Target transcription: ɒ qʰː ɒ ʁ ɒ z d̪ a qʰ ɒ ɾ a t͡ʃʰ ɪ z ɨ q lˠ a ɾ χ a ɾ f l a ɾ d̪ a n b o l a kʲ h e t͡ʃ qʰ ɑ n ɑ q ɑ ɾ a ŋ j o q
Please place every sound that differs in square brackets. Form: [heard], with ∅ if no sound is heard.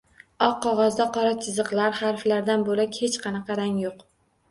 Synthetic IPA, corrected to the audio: ɒ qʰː ɒ ʁ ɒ z d̪ a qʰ ɒ ɾ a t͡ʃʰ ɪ z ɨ q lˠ a ɾ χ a ɾ f l a ɾ d̪ a n b o l a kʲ h e t͡ʃ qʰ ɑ n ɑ q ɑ ɾ a ŋ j o q